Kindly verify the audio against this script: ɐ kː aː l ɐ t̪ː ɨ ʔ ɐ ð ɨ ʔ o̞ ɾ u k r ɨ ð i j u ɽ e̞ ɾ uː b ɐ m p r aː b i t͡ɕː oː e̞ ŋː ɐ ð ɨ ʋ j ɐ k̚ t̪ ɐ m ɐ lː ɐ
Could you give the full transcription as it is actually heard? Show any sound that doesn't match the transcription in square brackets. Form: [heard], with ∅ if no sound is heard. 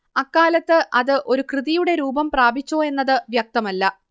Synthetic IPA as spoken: ɐ kː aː l ɐ t̪ː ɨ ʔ ɐ ð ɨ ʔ o̞ ɾ u k r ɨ ð i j u ɽ e̞ ɾ uː b ɐ m p r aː b i t͡ɕː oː e̞ [nː] ɐ ð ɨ ʋ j ɐ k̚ t̪ ɐ m ɐ lː ɐ

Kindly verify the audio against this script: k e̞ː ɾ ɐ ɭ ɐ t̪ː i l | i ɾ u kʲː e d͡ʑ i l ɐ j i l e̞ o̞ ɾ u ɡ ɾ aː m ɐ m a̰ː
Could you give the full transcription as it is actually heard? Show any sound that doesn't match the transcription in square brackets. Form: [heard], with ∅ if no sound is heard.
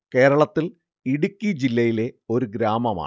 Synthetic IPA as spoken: k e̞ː ɾ ɐ ɭ ɐ t̪ː i l | i [ɽ] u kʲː [i] d͡ʑ i [lː] ɐ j i l e̞ o̞ ɾ u ɡ ɾ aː m ɐ m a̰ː

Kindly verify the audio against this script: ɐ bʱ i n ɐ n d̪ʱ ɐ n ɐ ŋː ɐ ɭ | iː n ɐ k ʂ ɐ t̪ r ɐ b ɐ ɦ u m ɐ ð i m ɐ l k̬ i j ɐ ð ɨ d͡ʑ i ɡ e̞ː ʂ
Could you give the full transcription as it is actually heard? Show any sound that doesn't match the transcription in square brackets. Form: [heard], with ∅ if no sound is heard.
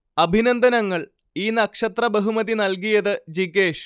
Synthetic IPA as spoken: ɐ bʱ i n ɐ n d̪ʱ ɐ n ɐ ŋː ɐ ɭ | iː n ɐ k ʂ ɐ t̪ r ɐ b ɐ ɦ u m ɐ ð i [n] ɐ l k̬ i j ɐ ð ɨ d͡ʑ i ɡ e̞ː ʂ

